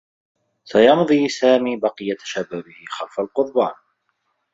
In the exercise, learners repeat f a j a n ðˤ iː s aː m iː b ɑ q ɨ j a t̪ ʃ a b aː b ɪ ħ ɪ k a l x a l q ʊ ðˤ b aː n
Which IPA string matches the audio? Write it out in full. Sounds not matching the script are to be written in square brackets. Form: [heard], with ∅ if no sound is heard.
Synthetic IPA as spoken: [s] a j [ɑ] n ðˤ iː s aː m iː b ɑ q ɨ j a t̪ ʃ a b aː b ɪ [h] ɪ [x] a l [f] a l q ʊ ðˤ b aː n